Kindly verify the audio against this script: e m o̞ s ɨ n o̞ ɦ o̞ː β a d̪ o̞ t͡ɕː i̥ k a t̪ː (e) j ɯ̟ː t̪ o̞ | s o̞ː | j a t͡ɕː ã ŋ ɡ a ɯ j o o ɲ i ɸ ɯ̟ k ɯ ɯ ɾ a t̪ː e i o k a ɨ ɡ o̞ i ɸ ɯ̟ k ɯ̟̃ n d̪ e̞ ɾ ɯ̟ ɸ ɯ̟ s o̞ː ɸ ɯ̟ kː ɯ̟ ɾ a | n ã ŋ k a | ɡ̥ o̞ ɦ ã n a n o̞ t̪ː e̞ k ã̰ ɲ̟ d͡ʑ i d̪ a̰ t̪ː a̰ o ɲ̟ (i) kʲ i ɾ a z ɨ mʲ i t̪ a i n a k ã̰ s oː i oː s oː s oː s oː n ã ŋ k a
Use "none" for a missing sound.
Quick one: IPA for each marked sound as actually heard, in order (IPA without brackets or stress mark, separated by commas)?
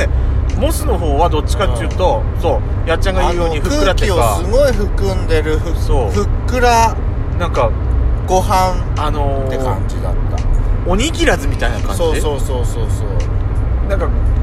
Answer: e, i